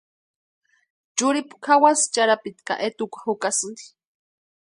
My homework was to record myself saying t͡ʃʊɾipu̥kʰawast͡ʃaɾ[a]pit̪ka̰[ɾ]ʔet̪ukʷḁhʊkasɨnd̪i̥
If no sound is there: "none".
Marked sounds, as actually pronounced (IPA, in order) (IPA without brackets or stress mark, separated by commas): a, none